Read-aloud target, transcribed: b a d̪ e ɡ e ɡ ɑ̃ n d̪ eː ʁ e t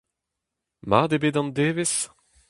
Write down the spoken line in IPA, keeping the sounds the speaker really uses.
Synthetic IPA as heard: m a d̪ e b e d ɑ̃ n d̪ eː v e s